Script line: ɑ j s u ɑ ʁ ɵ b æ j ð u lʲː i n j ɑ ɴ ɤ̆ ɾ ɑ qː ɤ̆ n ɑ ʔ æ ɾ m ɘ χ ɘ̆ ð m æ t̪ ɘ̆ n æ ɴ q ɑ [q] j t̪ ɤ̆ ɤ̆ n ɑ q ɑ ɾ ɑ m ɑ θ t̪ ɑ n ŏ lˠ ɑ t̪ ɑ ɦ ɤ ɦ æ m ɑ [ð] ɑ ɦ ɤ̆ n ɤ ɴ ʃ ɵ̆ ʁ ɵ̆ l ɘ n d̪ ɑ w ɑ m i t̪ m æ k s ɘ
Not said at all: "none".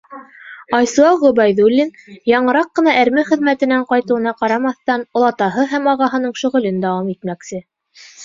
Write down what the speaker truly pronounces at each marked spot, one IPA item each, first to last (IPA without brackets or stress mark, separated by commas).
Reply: none, ʁ